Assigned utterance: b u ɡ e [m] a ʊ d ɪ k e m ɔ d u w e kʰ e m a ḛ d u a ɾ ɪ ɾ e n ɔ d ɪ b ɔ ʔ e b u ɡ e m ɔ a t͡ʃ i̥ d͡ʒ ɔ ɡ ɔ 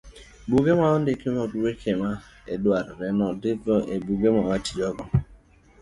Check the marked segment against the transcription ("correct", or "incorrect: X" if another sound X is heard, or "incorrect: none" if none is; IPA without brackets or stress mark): correct